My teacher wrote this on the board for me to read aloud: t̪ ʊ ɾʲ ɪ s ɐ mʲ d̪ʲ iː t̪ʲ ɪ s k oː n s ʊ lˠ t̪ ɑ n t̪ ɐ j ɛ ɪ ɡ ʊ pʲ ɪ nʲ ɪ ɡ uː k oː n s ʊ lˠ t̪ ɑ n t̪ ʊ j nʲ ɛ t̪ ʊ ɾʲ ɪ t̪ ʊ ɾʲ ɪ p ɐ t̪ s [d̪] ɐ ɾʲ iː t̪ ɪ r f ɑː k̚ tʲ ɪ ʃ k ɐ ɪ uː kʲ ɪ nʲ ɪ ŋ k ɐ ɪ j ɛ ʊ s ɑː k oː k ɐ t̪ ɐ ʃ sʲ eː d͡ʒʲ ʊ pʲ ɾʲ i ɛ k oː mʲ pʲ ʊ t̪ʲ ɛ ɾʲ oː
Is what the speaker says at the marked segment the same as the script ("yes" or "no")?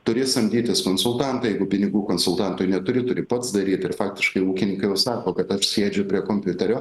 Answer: yes